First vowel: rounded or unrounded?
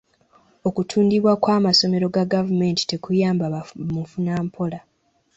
rounded